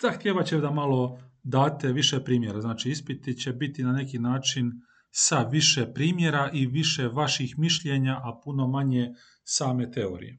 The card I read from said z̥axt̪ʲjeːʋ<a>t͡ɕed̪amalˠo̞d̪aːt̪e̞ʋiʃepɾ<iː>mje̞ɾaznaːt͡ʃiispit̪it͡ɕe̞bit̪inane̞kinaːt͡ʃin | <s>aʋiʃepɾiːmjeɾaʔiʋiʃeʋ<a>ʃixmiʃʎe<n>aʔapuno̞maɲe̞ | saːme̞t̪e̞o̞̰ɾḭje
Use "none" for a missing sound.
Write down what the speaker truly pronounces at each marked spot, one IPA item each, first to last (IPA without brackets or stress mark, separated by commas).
a, iː, s, a, ɲ